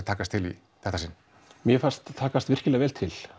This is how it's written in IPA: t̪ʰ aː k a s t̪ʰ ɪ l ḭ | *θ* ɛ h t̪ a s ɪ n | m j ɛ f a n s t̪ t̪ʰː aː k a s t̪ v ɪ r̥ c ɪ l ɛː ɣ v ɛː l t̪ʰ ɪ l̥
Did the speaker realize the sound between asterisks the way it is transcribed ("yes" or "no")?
yes